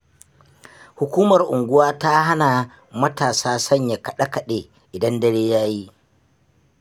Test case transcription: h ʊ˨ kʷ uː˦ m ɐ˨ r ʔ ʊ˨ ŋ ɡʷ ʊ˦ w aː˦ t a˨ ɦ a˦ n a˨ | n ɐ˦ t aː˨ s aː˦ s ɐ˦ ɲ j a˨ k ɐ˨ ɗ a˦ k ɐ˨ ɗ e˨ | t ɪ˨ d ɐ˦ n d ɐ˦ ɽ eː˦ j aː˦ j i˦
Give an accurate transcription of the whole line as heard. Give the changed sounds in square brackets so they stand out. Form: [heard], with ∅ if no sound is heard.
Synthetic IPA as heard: h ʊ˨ kʷ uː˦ m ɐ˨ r ʔ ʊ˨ ŋ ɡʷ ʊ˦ w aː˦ t [a˦] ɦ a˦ n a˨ | [m] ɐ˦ t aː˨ s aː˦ s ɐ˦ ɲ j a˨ k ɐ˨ ɗ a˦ k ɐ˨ ɗ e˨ | [ʔ] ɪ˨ d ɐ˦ n d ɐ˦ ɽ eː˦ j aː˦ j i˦